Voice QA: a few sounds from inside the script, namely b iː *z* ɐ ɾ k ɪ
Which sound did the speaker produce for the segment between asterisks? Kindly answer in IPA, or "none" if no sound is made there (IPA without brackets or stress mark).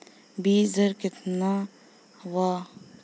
z